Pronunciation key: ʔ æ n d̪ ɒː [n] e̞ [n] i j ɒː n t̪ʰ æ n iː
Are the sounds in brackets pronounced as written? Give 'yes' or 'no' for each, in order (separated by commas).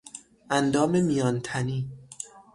no, no